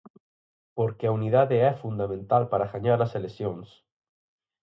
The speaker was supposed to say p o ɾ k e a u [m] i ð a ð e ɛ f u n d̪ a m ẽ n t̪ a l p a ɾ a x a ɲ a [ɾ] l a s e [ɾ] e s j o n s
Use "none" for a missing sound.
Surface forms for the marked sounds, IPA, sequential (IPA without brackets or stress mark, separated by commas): n, ɾ, l